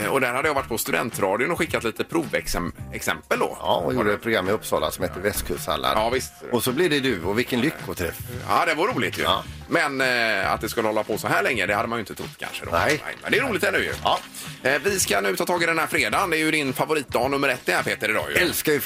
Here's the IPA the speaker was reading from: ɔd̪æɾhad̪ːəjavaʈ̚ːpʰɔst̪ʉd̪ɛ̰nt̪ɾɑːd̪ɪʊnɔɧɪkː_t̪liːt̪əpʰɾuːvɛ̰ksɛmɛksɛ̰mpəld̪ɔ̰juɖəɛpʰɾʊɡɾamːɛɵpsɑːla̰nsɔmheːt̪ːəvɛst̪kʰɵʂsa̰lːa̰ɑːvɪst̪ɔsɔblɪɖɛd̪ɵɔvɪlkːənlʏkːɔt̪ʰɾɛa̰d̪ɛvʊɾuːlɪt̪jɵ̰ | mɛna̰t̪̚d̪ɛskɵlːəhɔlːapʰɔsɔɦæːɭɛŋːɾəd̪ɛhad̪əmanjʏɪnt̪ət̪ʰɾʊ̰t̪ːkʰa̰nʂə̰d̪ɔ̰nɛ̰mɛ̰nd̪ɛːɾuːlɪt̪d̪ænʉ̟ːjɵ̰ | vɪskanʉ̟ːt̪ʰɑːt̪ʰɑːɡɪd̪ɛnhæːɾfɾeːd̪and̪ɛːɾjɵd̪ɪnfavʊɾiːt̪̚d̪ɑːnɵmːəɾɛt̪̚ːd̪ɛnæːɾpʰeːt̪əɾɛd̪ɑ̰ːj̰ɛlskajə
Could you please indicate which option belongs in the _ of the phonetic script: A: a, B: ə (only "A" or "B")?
A